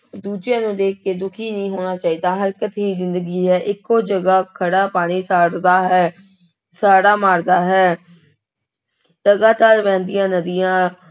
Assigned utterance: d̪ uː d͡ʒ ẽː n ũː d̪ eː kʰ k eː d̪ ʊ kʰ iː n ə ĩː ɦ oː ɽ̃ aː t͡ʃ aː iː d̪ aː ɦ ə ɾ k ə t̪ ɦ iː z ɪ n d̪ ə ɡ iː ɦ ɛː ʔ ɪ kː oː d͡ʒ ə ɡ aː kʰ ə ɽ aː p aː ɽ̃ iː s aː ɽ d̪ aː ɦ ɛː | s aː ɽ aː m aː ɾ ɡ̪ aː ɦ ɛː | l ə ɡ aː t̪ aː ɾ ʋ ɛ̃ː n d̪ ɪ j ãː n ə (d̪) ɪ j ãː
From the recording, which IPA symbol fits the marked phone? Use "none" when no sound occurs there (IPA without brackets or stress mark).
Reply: d̪